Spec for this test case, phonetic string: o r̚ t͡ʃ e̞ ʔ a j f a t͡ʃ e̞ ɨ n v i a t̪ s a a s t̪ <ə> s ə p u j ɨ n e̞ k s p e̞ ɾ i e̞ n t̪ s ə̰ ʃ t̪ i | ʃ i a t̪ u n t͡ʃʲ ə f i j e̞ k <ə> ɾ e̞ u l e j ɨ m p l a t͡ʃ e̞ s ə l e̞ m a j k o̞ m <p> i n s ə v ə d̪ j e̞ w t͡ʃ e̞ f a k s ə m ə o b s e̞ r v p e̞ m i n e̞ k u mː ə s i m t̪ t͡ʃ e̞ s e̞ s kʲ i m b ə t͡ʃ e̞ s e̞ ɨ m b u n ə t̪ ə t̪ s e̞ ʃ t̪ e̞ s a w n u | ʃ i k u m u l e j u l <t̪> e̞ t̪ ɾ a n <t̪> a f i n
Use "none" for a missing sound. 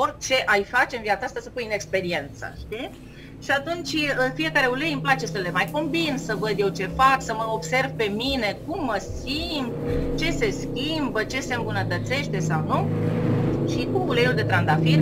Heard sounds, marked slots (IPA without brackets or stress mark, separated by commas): a, a, b, d̪, d̪